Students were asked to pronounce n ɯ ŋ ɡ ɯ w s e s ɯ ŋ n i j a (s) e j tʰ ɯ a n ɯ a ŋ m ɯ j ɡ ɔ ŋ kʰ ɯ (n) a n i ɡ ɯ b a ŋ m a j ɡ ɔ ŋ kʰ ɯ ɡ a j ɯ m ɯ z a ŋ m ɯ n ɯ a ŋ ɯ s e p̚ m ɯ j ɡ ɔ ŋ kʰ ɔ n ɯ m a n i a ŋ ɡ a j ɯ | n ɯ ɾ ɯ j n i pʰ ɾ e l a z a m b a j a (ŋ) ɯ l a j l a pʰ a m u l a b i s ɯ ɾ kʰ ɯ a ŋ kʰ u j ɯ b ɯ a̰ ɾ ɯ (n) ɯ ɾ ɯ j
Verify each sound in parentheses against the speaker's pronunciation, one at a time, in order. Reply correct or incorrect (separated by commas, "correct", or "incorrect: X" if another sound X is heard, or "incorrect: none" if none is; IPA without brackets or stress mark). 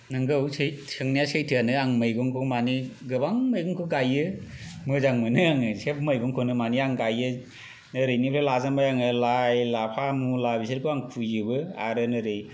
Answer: correct, incorrect: m, correct, correct